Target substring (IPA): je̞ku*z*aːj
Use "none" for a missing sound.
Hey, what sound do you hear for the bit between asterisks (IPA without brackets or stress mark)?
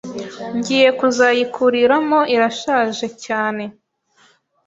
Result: z